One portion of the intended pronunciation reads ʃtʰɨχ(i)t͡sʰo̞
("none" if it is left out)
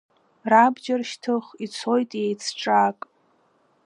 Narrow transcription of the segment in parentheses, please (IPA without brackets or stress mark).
i